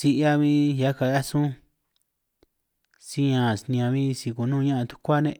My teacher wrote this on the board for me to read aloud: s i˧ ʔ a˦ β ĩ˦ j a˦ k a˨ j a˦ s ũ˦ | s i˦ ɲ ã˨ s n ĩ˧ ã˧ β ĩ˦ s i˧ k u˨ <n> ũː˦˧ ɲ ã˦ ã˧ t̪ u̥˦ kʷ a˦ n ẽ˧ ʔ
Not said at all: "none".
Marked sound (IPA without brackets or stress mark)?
n